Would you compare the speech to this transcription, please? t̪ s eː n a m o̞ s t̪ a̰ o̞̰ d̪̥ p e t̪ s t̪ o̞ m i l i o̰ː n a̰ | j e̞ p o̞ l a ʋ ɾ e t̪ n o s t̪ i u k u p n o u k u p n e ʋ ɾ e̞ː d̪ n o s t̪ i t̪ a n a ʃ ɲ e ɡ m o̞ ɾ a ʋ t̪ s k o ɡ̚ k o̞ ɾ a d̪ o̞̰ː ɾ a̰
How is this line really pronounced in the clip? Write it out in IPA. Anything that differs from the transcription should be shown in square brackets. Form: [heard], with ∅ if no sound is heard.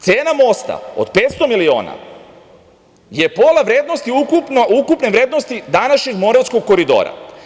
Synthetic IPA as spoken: t̪ s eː n a m o̞ s t̪ a̰ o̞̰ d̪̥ p e t̪ s t̪ o̞ m i l i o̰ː n a̰ | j e̞ p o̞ l a ʋ ɾ e [d̪] n o s t̪ i u k u p n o u k u p n e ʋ ɾ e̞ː d̪ n o s t̪ i [d̪] a n a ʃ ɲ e ɡ m o̞ ɾ a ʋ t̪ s k o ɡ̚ k o̞ ɾ [i] d̪ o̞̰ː ɾ a̰

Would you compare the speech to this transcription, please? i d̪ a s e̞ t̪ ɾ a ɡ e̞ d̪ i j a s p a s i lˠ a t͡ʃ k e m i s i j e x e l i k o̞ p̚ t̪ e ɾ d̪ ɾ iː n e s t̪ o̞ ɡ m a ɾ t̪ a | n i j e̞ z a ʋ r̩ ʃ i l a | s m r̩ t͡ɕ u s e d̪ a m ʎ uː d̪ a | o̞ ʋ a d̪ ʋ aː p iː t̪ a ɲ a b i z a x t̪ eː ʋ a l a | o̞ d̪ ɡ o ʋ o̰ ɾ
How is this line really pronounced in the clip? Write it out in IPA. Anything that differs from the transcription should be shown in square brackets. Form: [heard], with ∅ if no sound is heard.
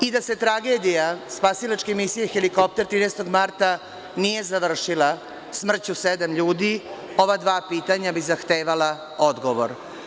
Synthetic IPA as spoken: i d̪ a s e̞ t̪ ɾ a ɡ e̞ d̪ i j a s p a s i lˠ a t͡ʃ k e m i s i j e x e l i k o̞ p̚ t̪ e ɾ [t̪] ɾ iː n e s t̪ o̞ ɡ m a ɾ t̪ a | n i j e̞ z a ʋ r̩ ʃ i l a | s m r̩ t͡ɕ u s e d̪ a m ʎ uː d̪ [i] | o̞ ʋ a d̪ ʋ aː p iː t̪ a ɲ a b i z a x t̪ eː ʋ a l a | o̞ d̪ ɡ o ʋ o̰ ɾ

